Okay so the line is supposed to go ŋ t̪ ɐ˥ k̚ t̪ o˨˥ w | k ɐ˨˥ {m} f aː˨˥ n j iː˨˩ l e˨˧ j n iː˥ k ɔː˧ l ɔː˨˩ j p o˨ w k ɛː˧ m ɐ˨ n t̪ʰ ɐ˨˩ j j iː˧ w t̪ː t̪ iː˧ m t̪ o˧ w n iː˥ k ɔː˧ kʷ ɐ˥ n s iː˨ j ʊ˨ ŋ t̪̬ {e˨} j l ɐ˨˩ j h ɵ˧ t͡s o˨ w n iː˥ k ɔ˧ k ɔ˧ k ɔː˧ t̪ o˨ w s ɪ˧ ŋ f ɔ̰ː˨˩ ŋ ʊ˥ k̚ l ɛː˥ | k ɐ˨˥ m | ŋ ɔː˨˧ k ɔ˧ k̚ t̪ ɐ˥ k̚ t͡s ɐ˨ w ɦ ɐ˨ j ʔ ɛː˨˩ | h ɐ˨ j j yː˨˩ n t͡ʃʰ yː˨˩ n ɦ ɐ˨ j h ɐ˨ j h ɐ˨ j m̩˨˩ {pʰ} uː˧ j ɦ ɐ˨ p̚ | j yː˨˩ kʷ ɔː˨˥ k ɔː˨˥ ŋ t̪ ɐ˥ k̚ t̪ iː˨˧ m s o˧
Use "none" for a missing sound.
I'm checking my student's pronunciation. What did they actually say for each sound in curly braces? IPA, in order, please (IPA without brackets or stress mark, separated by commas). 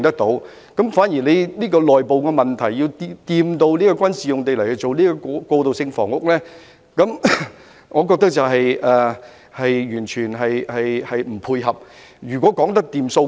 m, e˨, pʰ